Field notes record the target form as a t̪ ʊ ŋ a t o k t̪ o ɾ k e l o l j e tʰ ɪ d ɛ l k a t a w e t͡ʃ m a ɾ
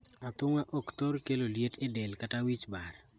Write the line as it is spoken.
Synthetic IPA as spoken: a t̪ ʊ ŋ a ʔ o k t̪ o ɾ k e l o l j e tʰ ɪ d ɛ l k a t a w i t͡ʃ b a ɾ